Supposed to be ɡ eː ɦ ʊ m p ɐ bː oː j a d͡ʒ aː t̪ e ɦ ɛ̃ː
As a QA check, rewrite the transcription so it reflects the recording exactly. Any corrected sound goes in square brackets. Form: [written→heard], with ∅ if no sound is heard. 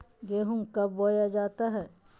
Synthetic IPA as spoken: ɡ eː ɦ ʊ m [p→k] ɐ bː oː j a d͡ʒ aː t̪ [e→a] ɦ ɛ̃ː